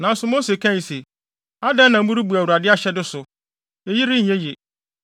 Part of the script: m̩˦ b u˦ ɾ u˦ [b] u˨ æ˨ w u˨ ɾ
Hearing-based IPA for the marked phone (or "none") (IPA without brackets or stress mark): b